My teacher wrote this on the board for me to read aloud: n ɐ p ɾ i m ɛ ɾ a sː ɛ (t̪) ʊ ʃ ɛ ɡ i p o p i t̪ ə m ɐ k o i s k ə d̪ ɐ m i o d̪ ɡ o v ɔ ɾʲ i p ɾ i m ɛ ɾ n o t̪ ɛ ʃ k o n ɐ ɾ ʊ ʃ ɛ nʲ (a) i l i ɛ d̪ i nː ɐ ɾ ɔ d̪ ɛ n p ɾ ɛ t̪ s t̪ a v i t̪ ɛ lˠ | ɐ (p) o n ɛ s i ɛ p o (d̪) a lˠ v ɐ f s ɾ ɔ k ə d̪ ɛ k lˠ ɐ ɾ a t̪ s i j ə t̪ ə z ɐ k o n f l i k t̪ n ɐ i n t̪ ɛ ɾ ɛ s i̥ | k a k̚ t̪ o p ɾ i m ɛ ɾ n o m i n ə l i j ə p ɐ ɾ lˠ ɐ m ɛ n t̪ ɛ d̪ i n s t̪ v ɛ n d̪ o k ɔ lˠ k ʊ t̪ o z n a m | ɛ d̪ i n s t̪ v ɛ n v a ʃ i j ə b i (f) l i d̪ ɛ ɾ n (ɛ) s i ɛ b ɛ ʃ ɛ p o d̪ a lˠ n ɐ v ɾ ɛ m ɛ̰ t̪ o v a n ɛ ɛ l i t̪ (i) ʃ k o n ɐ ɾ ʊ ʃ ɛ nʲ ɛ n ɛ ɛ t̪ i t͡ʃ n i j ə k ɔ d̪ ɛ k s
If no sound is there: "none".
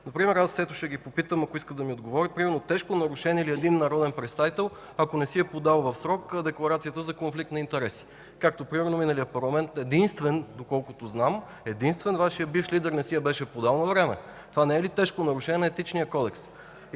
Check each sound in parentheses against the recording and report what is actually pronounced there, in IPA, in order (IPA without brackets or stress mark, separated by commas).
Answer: t̪, ɛ, k, d̪, f, ɛ, ɛ